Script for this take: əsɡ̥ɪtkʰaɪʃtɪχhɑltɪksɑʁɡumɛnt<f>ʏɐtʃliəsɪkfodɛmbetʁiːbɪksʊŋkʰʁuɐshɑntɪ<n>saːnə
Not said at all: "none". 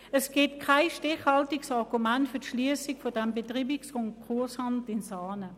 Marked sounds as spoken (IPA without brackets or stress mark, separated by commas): f, n